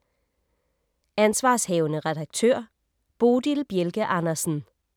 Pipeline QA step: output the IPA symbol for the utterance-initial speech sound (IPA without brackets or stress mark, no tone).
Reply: æ